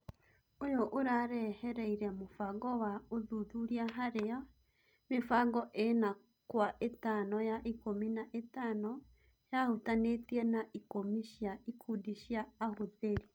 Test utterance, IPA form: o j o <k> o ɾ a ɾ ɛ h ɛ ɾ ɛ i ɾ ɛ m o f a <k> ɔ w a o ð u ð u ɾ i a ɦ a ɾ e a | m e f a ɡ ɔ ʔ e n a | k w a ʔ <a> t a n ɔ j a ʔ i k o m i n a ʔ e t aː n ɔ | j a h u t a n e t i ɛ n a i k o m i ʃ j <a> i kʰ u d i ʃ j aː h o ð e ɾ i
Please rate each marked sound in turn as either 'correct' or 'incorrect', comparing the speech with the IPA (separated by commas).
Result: incorrect, incorrect, incorrect, correct